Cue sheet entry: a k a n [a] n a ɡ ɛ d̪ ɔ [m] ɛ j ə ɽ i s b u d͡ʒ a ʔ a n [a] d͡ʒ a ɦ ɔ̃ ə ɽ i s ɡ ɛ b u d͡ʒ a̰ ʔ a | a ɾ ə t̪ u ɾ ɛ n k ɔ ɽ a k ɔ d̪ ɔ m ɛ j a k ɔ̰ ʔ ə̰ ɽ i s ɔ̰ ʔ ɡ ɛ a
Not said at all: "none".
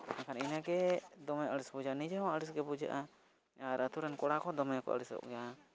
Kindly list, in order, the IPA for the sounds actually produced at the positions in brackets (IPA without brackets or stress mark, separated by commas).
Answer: i, m, i